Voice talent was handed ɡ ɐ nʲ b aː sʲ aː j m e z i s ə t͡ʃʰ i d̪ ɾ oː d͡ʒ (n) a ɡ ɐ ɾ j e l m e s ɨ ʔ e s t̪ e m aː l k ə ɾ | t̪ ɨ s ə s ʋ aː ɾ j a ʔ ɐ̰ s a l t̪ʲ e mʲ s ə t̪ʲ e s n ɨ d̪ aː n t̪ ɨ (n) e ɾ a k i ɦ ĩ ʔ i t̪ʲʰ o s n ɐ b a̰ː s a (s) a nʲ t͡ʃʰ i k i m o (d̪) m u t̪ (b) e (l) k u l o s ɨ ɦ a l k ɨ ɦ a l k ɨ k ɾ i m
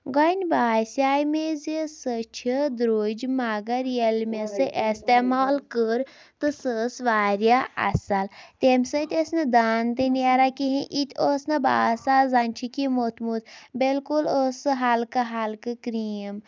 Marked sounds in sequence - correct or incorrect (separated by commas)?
incorrect, correct, incorrect, incorrect, correct, correct